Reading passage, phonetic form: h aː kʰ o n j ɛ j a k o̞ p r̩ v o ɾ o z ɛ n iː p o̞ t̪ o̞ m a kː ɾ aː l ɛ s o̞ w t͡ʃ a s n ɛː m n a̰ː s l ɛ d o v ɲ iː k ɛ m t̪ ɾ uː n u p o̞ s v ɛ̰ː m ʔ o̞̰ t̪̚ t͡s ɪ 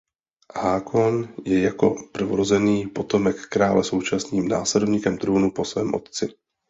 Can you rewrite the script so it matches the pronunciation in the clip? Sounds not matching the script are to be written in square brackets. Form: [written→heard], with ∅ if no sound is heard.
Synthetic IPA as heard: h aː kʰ o n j ɛ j a k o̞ p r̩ v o ɾ o z ɛ n iː p o̞ t̪ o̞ m [a→ɛ] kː ɾ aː l ɛ s o̞ w t͡ʃ a s n [ɛː→iː] m n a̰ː s l ɛ d o v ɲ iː k ɛ m t̪ ɾ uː n u p o̞ s v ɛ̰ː m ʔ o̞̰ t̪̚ t͡s ɪ